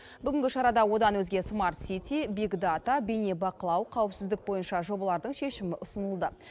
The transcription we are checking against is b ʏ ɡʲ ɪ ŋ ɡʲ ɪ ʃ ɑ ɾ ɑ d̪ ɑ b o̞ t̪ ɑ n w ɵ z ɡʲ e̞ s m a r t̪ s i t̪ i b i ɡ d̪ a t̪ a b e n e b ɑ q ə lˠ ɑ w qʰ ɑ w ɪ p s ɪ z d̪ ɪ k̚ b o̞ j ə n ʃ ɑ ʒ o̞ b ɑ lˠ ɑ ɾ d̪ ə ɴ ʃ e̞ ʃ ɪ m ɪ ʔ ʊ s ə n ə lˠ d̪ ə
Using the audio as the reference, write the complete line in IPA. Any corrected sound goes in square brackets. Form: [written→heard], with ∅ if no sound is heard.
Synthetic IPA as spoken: b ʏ ɡʲ ɪ ŋ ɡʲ ɪ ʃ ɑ ɾ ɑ d̪ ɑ [b→w] o̞ [t̪→d̪] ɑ n w ɵ z ɡʲ e̞ s m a r t̪ s i t̪ i b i ɡ d̪ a t̪ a b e n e b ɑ q ə lˠ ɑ w qʰ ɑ w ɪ p s ɪ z d̪ ɪ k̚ b o̞ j ə n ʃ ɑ ʒ o̞ b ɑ lˠ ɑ ɾ d̪ ə ɴ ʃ e̞ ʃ ɪ m ɪ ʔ ʊ s ə n ə lˠ d̪ ə

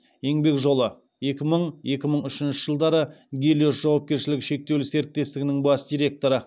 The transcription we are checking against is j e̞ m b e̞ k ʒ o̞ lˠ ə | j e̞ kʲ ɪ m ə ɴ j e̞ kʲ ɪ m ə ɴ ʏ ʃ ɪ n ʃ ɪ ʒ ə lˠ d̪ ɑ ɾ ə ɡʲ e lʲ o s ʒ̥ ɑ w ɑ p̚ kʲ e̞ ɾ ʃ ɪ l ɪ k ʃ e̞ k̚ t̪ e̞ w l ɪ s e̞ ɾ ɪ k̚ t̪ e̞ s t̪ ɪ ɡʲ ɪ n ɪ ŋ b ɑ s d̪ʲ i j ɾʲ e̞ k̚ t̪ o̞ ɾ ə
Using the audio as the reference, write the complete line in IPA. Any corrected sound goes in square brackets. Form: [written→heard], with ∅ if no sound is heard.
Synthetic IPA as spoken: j e̞ [m→ŋ] b e̞ k ʒ o̞ lˠ ə | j e̞ kʲ ɪ m ə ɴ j e̞ kʲ ɪ m ə ɴ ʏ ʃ ɪ n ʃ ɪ ʒ ə lˠ d̪ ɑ ɾ ə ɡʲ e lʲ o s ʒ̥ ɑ w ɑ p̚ kʲ e̞ ɾ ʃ ɪ l ɪ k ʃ e̞ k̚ t̪ e̞ w l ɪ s e̞ ɾ ɪ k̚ t̪ e̞ s t̪ ɪ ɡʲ ɪ n ɪ ŋ b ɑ s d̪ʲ i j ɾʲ e̞ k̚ t̪ o̞ ɾ ə

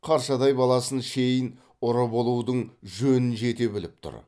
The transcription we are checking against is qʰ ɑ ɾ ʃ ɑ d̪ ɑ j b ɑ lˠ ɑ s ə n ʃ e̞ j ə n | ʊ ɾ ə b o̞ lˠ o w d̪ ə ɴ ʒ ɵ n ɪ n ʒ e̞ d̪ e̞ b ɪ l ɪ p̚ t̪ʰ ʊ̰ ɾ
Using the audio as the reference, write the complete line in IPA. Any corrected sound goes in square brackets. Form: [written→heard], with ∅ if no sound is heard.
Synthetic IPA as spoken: qʰ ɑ ɾ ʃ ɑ d̪ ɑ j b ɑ lˠ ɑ s ə n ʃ e̞ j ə n | ʊ ɾ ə b o̞ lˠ [o→u] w d̪ ə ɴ ʒ ɵ n ɪ n ʒ e̞ [d̪→t̪] e̞ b ɪ l ɪ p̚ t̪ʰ ʊ̰ ɾ

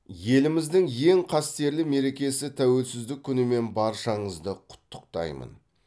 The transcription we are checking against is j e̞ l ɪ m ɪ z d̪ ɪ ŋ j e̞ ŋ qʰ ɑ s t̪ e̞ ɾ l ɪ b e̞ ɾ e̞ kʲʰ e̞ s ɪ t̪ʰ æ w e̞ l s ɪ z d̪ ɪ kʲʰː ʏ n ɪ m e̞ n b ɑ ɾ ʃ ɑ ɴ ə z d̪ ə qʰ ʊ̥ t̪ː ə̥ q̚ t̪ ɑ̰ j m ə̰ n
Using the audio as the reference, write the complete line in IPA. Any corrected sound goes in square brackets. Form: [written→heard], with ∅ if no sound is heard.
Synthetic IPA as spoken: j e̞ l ɪ m ɪ z d̪ ɪ ŋ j e̞ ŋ qʰ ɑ s t̪ e̞ ɾ l ɪ [b→m] e̞ ɾ e̞ [kʲʰ→kʲ] e̞ s ɪ t̪ʰ æ w e̞ l s ɪ z d̪ ɪ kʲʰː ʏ n ɪ m e̞ n b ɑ ɾ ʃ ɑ ɴ ə z d̪ ə qʰ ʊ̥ t̪ː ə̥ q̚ t̪ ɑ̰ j m ə̰ n

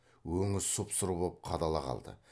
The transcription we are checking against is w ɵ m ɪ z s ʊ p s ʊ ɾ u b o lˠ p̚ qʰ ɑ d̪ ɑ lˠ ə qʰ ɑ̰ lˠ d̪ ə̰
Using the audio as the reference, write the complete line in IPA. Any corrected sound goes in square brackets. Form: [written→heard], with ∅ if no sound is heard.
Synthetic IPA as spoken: w ɵ [m→ŋ] ɪ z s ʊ p s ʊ ɾ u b o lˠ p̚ qʰ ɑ d̪ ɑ lˠ [ə→ɑ] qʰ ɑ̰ lˠ d̪ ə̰

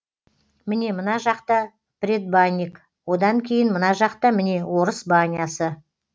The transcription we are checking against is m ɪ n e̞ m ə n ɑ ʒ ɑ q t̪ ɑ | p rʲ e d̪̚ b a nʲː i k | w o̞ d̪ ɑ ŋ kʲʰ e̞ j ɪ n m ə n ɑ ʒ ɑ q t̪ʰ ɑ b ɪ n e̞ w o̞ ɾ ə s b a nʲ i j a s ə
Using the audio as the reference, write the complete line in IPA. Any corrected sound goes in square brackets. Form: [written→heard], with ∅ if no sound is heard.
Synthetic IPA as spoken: m ɪ n e̞ m ə n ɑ ʒ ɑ q t̪ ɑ | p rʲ e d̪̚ b a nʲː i k | w o̞ d̪ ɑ ŋ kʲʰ e̞ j ɪ n m ə n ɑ ʒ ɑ q [t̪ʰ→t̪] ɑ [b→m] ɪ n e̞ w o̞ ɾ ə s b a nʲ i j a s ə

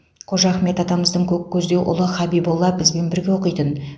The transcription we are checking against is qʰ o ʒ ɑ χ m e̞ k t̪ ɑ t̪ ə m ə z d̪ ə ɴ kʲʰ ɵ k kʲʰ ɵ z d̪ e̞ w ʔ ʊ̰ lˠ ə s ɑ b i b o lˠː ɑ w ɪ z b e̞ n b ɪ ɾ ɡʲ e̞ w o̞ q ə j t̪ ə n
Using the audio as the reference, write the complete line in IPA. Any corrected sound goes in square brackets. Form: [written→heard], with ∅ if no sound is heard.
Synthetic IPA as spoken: qʰ o ʒ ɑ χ m e̞ [k→∅] t̪ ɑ t̪ [ə→ɑ] m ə z d̪ ə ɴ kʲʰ ɵ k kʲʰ ɵ z d̪ e̞ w ʔ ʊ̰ lˠ ə [s→χ] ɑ b i b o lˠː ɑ [w→b] ɪ z b e̞ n b ɪ ɾ ɡʲ e̞ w o̞ q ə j t̪ ə n

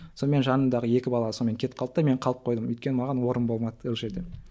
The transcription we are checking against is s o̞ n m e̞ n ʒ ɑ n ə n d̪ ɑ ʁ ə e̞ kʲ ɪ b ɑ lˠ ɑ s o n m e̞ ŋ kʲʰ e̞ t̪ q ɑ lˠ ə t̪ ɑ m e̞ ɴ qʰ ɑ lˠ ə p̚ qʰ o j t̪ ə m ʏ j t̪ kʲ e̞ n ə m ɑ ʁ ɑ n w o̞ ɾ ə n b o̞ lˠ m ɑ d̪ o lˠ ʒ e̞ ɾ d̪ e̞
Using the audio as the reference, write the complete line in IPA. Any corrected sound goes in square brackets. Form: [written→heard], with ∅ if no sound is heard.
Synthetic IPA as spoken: s o̞ n m e̞ n ʒ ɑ n ə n d̪ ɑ ʁ ə e̞ kʲ ɪ b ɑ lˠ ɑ s o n m e̞ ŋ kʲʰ e̞ t̪ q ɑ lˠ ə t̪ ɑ m e̞ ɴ qʰ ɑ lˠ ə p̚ qʰ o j [t̪→d̪] ə m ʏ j t̪ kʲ e̞ n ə m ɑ ʁ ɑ n w o̞ ɾ ə n b o̞ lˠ m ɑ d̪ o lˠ ʒ e̞ ɾ d̪ e̞

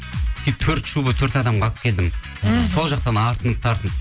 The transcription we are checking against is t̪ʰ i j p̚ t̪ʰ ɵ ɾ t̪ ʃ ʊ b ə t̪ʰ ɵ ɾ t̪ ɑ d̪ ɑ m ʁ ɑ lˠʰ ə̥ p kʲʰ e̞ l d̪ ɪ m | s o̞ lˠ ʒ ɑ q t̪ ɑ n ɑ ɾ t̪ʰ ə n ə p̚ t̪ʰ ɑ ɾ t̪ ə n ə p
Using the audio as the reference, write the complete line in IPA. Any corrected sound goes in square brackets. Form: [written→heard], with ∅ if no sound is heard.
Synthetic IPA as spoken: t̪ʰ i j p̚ t̪ʰ ɵ ɾ t̪ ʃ [ʊ→u] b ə t̪ʰ ɵ ɾ t̪ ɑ d̪ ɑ m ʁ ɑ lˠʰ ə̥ p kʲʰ e̞ l d̪ ɪ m | s o̞ lˠ ʒ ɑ q t̪ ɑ n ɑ ɾ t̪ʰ ə n ə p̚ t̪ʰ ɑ ɾ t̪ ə n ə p

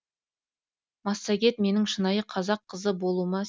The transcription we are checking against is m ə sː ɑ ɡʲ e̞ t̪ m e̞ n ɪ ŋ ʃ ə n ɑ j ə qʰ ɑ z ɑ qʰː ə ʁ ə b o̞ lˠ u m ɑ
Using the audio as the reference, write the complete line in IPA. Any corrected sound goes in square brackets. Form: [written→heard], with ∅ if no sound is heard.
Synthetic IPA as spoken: m [ə→ɑ] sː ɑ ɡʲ e̞ t̪ m e̞ n ɪ ŋ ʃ ə n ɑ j ə qʰ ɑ z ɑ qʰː ə [ʁ→z] ə b o̞ lˠ u m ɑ

